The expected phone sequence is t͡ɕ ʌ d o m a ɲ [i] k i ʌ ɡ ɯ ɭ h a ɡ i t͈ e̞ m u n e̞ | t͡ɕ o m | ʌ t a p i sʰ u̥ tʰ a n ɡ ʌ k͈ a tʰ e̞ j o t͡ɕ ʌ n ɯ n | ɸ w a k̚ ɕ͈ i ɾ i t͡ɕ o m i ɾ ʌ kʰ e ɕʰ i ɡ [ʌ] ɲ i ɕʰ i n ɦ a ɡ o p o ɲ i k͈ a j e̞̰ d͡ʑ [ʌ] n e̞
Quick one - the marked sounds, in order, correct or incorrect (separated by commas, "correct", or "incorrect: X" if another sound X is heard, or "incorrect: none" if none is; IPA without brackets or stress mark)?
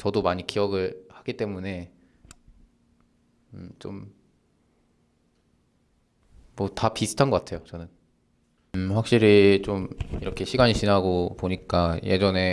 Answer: correct, incorrect: a, correct